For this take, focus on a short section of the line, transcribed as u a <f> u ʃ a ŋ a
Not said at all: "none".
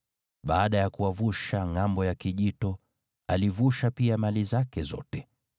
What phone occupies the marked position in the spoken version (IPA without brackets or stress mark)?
v